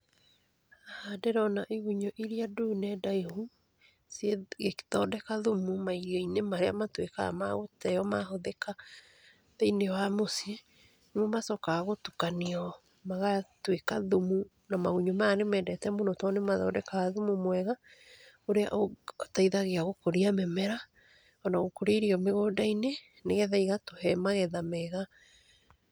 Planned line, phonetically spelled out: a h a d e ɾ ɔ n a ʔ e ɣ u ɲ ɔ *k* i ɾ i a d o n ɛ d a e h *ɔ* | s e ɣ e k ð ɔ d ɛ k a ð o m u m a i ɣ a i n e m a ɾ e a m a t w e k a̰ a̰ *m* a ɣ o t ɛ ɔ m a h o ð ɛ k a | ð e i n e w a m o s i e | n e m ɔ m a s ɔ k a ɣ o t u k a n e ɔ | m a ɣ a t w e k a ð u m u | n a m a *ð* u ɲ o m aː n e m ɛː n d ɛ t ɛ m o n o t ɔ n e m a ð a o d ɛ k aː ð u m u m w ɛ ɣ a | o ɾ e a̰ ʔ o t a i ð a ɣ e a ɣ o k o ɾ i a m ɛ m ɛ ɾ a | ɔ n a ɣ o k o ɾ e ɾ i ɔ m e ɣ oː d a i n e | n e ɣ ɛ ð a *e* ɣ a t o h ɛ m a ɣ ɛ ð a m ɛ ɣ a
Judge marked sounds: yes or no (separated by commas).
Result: no, no, yes, no, no